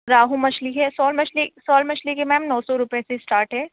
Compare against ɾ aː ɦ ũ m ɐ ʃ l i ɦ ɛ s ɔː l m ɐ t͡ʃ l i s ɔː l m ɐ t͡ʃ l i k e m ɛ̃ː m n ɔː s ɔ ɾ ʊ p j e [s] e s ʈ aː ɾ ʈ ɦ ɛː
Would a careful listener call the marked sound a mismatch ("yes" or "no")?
no